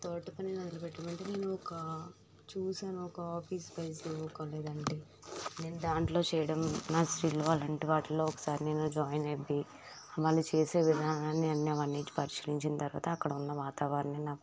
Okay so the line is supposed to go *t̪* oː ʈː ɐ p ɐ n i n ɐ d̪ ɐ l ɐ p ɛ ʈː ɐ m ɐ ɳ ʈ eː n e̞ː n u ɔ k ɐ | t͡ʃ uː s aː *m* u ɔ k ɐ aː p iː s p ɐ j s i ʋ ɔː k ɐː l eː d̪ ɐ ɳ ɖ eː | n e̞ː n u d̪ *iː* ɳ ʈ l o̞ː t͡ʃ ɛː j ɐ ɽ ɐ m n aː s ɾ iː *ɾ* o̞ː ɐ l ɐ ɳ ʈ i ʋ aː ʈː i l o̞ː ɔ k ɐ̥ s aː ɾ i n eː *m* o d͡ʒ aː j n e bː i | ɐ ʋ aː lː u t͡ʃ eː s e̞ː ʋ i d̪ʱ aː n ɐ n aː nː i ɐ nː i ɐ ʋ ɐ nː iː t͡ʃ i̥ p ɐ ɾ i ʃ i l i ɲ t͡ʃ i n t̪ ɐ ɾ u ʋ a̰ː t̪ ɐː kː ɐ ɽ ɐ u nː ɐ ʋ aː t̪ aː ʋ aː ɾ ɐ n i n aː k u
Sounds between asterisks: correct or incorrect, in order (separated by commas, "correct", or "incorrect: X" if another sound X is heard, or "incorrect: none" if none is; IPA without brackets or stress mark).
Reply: correct, incorrect: n, incorrect: aː, incorrect: l, incorrect: n